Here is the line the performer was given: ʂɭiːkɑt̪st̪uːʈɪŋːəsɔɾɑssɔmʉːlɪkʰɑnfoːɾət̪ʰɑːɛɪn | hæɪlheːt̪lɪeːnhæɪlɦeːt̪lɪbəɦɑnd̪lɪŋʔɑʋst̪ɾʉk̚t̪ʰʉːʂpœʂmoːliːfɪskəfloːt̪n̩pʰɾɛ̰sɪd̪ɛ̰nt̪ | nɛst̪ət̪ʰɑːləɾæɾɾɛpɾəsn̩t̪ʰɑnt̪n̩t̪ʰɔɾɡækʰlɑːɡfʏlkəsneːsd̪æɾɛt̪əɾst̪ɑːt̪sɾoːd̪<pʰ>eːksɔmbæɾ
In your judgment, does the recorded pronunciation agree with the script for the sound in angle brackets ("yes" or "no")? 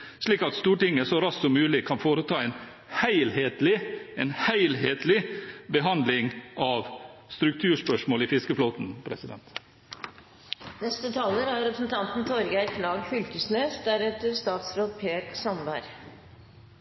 yes